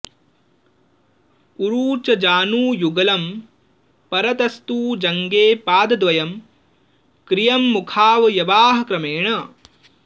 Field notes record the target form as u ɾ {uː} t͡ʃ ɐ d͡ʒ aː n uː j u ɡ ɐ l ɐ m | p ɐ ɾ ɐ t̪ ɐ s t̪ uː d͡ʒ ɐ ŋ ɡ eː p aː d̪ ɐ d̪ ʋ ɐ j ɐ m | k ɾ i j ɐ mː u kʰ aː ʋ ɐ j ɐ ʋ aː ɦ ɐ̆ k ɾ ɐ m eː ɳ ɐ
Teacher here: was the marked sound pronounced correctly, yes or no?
yes